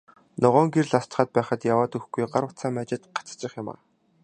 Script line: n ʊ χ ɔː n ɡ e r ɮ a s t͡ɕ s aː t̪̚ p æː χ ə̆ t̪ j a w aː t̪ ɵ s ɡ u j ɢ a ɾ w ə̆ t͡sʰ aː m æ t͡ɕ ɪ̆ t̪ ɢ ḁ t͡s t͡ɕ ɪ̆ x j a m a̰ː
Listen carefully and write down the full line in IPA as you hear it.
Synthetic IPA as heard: n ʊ ʁ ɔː ŋ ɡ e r ɮ a s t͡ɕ χ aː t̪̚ p æː χ ə̆ t̪ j a w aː t̪ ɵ x ɡ u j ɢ a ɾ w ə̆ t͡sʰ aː m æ t͡ɕ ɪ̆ t̪ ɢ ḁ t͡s t͡ɕ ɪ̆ χ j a m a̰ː